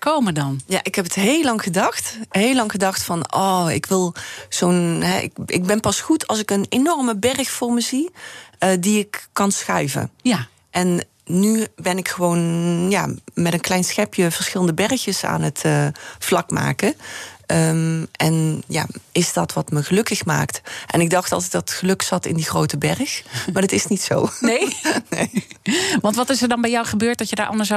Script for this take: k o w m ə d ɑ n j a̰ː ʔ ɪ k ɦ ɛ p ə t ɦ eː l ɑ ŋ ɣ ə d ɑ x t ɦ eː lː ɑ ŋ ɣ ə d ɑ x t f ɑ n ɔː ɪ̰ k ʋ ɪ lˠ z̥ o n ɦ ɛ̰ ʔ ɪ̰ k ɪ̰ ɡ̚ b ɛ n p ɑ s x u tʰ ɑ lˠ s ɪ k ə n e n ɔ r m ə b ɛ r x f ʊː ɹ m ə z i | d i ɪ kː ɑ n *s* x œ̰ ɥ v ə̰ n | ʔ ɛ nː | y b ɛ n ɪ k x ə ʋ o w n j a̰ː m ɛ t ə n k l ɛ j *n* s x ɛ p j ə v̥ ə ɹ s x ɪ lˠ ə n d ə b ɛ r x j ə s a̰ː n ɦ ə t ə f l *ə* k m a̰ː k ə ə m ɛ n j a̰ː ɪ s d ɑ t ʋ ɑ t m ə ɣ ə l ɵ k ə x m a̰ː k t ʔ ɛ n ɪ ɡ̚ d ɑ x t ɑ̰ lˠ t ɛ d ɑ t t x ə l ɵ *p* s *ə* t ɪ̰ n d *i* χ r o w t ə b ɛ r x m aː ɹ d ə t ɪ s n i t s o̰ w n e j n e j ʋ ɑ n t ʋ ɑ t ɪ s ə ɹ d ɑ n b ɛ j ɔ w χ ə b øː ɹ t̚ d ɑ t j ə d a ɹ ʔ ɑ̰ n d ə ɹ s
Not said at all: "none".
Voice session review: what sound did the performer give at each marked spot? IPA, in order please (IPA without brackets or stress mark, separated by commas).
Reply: s, n, ɑ, k, ɑ, i